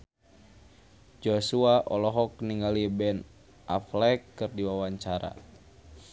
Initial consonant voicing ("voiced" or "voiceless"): voiced